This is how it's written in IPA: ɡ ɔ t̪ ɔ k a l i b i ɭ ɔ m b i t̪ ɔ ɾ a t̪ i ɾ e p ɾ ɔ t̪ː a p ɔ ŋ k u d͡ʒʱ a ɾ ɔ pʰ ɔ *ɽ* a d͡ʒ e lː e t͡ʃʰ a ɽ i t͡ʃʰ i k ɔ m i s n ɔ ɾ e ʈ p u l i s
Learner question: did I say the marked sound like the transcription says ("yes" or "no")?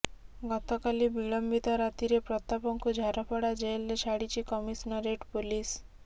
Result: yes